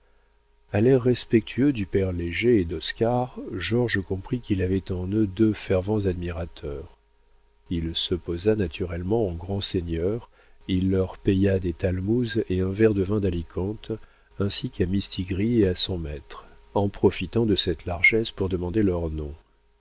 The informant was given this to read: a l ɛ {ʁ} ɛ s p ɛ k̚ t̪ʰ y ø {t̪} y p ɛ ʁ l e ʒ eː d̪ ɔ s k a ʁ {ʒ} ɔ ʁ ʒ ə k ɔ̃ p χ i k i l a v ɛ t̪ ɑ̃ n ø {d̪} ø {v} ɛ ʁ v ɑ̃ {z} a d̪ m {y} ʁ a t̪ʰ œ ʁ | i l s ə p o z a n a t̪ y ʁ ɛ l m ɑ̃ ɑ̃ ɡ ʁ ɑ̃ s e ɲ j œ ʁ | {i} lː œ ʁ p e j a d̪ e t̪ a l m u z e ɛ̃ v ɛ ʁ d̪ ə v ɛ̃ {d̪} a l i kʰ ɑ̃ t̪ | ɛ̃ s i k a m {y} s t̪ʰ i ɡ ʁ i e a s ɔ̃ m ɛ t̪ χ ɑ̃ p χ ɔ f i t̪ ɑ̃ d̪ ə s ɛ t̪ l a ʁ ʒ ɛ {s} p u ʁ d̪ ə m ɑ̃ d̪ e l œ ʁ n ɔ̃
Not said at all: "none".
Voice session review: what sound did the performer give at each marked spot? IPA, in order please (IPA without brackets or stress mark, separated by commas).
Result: ʁː, d̪, ʒ, d̪, f, z, i, i, d̪, i, s